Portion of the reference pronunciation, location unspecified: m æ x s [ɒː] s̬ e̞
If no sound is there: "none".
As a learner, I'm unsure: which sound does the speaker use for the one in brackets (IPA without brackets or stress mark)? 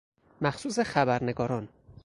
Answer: uː